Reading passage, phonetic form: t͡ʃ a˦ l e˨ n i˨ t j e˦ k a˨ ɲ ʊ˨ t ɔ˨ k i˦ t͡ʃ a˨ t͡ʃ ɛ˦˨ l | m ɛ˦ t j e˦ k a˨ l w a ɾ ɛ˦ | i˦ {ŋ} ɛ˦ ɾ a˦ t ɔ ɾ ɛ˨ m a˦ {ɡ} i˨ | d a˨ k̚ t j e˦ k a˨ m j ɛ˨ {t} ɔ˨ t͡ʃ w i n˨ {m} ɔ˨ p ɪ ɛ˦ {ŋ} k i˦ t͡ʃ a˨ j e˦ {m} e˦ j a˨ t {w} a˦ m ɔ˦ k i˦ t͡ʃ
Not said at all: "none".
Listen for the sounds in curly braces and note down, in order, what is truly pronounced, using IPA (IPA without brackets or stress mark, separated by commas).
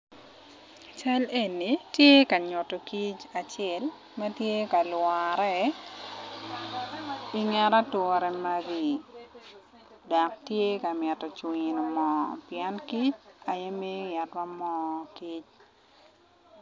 ŋ, ɡ, t, m, n, m, w